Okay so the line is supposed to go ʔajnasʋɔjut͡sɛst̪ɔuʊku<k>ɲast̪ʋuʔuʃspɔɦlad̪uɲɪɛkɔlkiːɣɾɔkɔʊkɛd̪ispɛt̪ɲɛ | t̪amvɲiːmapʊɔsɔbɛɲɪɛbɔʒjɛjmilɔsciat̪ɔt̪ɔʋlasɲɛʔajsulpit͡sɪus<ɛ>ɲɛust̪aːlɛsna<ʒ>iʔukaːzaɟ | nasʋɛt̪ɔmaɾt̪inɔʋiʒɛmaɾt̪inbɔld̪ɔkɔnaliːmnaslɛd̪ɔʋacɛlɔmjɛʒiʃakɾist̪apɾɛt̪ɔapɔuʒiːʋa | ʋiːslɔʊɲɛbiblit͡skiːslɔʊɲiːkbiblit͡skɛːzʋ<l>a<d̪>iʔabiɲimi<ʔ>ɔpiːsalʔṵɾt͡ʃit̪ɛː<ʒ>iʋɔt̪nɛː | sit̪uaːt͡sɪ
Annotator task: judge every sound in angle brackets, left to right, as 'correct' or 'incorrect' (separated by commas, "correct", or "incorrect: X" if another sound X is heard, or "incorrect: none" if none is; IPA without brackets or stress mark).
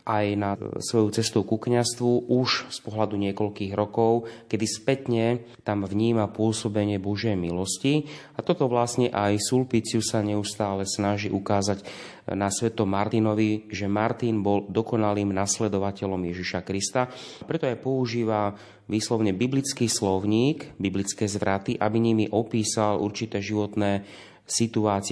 correct, incorrect: a, correct, incorrect: ɾ, incorrect: t̪, correct, correct